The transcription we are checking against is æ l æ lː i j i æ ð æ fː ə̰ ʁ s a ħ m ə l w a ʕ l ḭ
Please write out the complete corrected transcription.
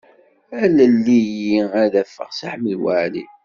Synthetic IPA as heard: æ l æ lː i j i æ ð æ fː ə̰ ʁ s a ħ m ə l w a ʕ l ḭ